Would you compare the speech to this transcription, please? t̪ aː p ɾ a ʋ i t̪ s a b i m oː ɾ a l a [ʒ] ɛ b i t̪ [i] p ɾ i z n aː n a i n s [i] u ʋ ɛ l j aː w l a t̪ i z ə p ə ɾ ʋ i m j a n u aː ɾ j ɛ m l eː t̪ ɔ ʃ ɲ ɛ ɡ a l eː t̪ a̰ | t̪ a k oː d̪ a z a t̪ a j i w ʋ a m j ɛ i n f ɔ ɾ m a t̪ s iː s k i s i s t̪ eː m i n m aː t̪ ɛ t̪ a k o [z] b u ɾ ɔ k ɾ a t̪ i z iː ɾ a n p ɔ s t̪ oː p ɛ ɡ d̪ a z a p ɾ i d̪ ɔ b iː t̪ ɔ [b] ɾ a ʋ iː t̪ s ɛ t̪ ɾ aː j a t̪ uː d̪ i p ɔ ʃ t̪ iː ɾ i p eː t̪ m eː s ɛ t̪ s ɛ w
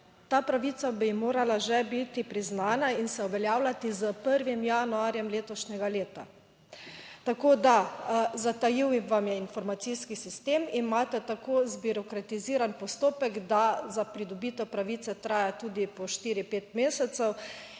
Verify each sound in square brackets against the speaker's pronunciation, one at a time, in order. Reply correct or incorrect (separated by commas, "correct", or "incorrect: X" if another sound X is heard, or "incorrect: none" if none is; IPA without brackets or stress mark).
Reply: correct, correct, incorrect: ɛ, correct, incorrect: p